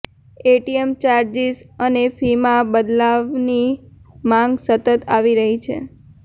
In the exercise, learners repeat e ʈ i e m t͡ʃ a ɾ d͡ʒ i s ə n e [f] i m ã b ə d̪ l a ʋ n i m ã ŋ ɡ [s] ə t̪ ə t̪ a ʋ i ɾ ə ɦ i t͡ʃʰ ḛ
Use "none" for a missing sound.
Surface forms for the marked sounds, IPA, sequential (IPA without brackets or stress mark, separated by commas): f, s